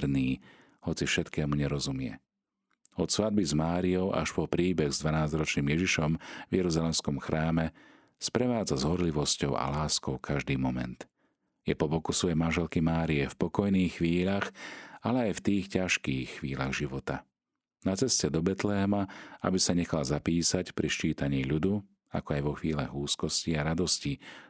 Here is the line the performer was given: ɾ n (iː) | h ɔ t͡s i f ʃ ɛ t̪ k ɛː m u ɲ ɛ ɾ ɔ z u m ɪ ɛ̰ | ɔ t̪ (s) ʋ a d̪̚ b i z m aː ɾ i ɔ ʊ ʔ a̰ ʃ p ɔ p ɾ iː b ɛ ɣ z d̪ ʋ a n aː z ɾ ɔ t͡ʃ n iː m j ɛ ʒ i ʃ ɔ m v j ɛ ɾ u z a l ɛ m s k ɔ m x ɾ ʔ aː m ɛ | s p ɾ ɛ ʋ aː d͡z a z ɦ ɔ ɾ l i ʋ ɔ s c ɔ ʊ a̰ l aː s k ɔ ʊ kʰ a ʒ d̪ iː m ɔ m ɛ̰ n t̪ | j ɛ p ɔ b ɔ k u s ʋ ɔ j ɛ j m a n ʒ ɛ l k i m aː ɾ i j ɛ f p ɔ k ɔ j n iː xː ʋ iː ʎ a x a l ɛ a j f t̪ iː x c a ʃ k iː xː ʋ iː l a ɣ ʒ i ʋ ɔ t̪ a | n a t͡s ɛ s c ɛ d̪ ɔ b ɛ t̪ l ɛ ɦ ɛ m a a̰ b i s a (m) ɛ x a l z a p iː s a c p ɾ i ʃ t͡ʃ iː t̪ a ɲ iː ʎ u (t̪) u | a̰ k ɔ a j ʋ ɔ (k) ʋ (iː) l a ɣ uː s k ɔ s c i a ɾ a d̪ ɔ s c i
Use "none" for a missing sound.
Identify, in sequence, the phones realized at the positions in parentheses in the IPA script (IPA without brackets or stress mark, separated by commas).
iː, s, ɲ, d̪, x, iː